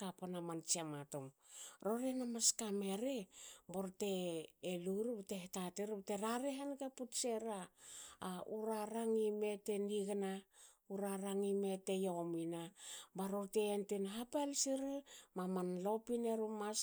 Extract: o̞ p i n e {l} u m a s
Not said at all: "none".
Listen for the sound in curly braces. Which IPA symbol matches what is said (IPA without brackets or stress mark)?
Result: ɾ